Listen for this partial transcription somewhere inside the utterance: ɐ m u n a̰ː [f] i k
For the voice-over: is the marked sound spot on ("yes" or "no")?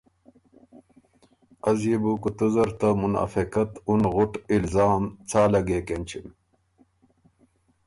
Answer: yes